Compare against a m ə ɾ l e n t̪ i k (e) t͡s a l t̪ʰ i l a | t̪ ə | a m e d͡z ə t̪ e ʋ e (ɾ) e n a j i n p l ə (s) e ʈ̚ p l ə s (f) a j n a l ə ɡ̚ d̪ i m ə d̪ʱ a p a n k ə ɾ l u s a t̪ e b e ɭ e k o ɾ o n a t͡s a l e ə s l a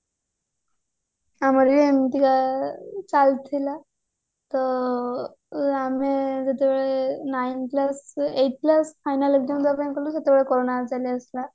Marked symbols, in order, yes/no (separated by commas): no, no, yes, yes